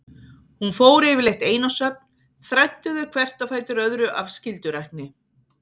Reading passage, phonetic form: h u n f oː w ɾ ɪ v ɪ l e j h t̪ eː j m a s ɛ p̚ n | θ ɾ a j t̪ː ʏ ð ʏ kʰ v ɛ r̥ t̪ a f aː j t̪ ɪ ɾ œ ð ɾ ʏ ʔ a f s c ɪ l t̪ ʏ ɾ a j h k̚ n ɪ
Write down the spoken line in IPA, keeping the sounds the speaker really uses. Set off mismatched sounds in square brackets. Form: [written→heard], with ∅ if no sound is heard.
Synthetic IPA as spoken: h u n f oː w ɾ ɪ v ɪ l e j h t̪ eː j [m→n] a s [ɛ→œ] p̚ n | θ ɾ a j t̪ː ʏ ð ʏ kʰ v ɛ r̥ t̪ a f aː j t̪ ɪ ɾ œ ð ɾ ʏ ʔ a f s c ɪ l t̪ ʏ ɾ a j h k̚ n ɪ